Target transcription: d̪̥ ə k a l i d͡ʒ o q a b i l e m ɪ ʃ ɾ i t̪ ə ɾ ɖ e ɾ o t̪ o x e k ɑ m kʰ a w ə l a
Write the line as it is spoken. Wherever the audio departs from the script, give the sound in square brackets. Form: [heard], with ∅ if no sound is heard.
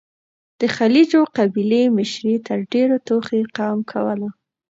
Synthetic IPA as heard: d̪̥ ə [x] a l i d͡ʒ o q a b i l e m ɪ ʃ ɾ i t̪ ə ɾ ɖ e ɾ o t̪ o x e [q] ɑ m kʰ a w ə l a